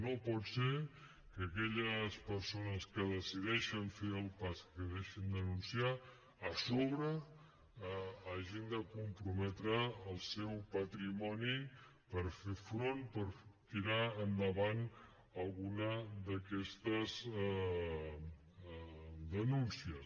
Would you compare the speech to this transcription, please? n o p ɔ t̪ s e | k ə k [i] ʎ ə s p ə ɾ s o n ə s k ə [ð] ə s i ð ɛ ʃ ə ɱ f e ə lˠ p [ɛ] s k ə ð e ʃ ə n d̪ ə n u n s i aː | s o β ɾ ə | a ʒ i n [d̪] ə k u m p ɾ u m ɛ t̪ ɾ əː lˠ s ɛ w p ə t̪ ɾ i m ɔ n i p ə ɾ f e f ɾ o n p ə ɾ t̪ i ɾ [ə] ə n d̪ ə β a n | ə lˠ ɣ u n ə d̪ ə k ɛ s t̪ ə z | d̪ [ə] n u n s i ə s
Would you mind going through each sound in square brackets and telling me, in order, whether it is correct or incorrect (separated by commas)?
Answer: incorrect, correct, incorrect, correct, incorrect, correct